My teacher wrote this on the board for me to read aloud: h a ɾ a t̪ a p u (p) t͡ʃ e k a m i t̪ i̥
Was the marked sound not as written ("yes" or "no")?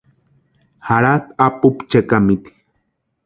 no